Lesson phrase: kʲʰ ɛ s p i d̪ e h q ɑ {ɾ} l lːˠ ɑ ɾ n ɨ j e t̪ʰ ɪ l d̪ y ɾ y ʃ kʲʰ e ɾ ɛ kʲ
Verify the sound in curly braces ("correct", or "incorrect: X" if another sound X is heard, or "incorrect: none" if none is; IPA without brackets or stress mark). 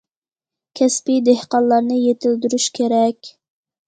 incorrect: none